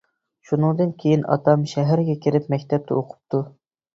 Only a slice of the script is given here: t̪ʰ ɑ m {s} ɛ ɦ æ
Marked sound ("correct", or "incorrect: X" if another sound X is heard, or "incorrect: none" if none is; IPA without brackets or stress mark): incorrect: ʃ